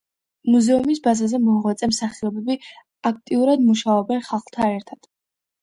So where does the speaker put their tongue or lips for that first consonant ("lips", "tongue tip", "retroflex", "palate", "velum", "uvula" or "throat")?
lips